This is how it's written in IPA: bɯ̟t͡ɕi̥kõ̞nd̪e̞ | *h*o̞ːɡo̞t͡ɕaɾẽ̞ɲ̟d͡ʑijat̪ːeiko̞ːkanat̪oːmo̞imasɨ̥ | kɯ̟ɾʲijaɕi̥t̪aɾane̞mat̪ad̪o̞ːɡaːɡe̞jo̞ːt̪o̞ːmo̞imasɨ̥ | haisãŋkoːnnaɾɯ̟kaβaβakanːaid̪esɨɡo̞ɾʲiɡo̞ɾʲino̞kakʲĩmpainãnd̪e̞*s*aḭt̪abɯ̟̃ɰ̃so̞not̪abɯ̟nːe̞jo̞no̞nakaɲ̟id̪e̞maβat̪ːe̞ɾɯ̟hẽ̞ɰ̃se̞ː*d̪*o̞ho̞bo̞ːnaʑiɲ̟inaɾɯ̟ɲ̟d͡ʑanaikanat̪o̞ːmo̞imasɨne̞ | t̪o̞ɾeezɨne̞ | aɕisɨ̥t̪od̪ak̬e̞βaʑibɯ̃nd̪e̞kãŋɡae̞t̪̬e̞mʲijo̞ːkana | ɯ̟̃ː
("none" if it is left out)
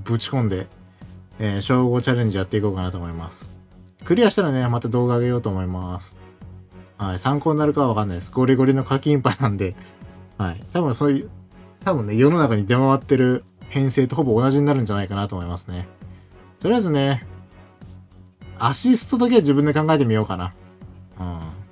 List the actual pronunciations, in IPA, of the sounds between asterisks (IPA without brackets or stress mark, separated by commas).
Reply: ɕ, h, t̪